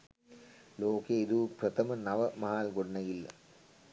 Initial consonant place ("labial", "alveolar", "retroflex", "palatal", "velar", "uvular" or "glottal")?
alveolar